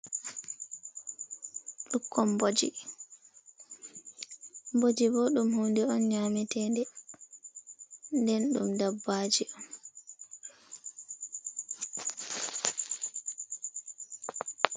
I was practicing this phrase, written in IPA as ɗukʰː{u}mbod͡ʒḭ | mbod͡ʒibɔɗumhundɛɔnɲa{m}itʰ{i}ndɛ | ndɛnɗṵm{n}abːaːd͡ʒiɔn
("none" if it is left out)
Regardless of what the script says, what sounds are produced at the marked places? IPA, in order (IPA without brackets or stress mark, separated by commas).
ɔ, m, ɛ, d